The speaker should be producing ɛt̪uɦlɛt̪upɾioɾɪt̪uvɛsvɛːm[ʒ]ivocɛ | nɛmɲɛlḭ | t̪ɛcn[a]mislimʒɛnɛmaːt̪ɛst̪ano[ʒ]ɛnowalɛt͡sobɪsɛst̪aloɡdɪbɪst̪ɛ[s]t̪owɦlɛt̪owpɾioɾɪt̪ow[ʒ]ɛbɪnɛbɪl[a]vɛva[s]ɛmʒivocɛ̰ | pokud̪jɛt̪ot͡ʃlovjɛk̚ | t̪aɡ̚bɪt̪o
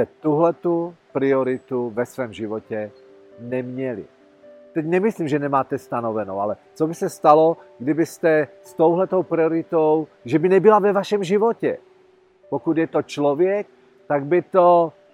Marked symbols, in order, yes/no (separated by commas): yes, no, no, yes, yes, yes, no